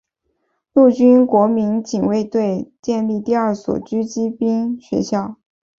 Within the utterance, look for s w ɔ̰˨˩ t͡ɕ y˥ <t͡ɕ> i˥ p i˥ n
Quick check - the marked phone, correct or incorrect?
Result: correct